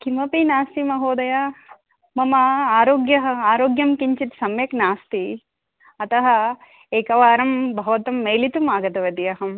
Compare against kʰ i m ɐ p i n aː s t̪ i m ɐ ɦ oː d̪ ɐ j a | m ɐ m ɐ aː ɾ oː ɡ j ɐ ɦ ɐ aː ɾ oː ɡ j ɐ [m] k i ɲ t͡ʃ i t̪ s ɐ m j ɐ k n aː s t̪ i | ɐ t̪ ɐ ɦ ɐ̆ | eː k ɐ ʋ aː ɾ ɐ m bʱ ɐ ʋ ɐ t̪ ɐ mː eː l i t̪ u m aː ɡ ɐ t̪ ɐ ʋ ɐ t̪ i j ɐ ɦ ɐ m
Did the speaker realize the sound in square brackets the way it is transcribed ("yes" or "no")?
yes